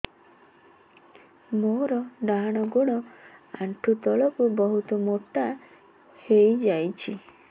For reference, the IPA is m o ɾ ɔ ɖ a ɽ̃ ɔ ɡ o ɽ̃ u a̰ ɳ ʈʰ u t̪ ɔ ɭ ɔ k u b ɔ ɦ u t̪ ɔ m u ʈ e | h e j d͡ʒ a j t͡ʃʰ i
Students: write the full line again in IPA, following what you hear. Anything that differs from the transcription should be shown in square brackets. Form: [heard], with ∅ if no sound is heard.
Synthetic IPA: m o ɾ ɔ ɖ a ɽ̃ ɔ ɡ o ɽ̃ [ɔ] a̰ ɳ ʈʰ u t̪ ɔ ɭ ɔ k u b ɔ ɦ u t̪ ɔ m [o] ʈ [a] | h e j d͡ʒ a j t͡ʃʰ i